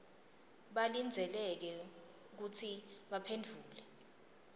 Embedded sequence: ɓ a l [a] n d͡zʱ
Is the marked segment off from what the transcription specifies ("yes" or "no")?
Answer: yes